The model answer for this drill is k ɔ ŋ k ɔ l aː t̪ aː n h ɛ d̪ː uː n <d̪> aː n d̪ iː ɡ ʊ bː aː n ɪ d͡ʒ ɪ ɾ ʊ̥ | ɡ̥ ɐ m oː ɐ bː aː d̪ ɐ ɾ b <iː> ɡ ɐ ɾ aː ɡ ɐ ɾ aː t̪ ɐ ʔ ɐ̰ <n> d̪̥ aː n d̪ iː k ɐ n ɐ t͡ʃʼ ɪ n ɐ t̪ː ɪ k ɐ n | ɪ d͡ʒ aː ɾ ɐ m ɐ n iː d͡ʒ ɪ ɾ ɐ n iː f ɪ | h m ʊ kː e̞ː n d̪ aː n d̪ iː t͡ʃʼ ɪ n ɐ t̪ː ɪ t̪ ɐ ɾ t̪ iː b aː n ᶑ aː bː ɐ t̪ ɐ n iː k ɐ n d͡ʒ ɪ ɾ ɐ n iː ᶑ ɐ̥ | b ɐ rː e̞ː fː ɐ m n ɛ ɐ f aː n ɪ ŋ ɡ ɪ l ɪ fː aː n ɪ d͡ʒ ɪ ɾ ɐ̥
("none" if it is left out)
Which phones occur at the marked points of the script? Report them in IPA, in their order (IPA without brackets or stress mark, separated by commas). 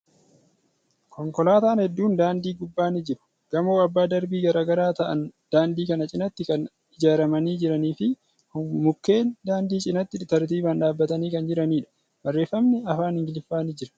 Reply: d̪, iː, n